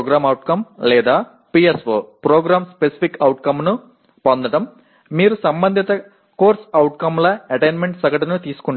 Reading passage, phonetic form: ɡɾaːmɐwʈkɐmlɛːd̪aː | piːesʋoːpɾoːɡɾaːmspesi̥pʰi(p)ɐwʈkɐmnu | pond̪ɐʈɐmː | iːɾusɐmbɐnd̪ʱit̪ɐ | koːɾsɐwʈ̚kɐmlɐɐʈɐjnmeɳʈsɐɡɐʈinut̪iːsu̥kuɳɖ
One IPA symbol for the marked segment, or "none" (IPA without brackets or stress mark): k